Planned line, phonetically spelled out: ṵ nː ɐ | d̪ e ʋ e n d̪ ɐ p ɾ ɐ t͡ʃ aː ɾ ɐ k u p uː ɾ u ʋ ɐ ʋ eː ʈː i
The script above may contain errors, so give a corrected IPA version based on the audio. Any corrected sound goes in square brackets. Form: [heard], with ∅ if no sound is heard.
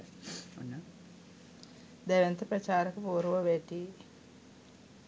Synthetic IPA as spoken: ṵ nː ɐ | d̪ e ʋ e n [t̪] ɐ p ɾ ɐ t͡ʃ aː ɾ ɐ k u p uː ɾ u ʋ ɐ ʋ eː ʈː i